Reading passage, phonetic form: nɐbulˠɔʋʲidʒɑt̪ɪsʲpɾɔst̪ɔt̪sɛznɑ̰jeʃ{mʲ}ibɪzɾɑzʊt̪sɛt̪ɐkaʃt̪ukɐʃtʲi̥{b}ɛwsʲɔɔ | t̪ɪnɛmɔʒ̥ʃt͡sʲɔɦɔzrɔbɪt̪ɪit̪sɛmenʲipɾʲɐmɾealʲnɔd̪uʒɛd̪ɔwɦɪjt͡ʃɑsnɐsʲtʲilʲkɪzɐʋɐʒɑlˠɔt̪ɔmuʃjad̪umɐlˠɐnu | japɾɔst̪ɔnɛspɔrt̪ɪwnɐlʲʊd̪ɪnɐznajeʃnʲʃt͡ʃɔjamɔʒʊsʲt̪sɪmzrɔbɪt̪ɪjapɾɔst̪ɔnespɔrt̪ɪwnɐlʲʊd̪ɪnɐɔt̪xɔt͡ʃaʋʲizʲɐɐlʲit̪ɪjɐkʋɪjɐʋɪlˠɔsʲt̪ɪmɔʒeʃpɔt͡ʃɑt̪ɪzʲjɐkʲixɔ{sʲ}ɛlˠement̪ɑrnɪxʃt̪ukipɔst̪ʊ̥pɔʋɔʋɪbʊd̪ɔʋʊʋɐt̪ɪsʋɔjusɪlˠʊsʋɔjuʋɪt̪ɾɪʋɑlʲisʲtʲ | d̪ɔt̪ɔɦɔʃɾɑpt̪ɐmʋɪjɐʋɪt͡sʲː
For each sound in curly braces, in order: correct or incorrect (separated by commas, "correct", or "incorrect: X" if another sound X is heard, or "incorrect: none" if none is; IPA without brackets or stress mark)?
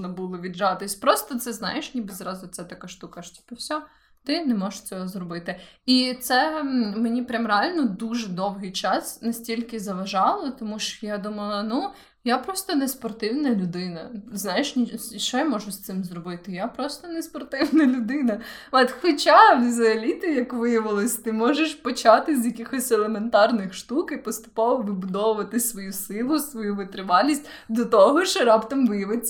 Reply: incorrect: nʲ, incorrect: p, correct